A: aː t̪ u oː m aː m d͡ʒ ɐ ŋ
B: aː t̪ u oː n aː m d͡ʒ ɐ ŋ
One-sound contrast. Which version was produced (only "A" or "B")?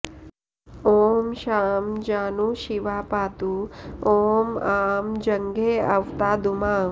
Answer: A